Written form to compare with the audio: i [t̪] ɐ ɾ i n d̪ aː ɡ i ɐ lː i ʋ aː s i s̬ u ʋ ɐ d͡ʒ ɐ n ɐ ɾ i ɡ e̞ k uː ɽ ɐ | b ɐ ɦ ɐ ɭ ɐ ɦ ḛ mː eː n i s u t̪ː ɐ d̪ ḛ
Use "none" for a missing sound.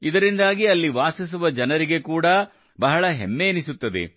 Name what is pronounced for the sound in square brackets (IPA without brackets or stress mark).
d̪